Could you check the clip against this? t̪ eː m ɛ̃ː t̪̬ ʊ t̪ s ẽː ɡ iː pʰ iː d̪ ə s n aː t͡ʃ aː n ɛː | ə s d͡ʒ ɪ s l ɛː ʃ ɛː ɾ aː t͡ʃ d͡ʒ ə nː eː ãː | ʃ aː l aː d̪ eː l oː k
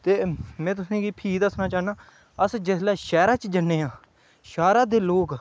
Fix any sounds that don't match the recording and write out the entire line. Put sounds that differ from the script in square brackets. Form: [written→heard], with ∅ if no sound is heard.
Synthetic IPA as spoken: t̪ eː m ɛ̃ː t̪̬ ʊ [t̪→∅] s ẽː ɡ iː pʰ iː d̪ ə s n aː t͡ʃ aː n [ɛː→aː] | ə s d͡ʒ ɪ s l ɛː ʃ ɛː ɾ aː t͡ʃ d͡ʒ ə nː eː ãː | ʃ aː [l→ɾ] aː d̪ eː l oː k